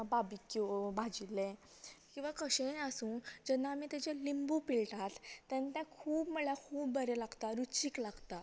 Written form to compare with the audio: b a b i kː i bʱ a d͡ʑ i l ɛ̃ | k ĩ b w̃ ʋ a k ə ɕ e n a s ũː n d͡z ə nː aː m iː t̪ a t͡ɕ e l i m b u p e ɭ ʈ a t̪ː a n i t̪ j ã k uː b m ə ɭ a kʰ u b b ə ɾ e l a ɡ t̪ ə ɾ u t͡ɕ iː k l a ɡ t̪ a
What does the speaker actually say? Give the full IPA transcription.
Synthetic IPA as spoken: b a b i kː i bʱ a d͡ʑ i l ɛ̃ | k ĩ w̃ ʋ a k ə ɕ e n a s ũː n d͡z ə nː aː m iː t̪ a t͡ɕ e l i m b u p i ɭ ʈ a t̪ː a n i t̪ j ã kʰ uː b m ə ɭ a kʰ uː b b ə ɾ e l a ɡ t̪ a ɾ u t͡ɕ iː k l a ɡ t̪ a